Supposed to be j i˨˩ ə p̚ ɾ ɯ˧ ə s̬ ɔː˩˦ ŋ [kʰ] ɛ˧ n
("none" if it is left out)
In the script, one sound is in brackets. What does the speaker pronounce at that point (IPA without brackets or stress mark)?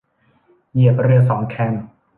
kʰ